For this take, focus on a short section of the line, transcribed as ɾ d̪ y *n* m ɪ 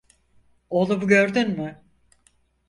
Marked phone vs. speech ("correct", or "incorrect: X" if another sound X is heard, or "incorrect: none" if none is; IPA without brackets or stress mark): correct